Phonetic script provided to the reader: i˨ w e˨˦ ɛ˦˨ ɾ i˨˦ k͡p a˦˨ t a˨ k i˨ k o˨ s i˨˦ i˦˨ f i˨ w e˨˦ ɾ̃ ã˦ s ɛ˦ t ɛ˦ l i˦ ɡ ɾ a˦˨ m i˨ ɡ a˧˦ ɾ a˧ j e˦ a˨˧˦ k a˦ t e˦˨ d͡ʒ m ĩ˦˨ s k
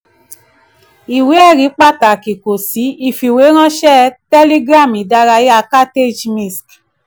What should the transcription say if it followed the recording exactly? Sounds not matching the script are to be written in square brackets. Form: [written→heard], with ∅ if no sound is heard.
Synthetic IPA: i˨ w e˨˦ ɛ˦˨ ɾ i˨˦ k͡p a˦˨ t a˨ k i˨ k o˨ s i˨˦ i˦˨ f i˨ w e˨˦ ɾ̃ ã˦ [s→ʃ] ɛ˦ t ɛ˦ l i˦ ɡ ɾ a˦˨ m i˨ [ɡ→d] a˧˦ ɾ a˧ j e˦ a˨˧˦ k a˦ t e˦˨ d͡ʒ m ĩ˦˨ s k